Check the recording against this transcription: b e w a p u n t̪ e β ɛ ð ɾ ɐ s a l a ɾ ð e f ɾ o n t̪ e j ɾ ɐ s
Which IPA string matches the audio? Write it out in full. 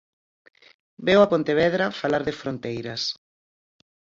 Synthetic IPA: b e w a p o n t̪ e β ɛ ð ɾ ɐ f a l a ɾ ð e f ɾ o n t̪ e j ɾ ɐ s